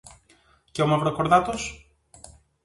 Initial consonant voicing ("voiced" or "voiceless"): voiceless